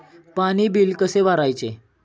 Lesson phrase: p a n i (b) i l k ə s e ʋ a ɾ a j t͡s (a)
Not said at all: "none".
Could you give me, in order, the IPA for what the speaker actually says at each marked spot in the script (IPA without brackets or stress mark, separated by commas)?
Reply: b, e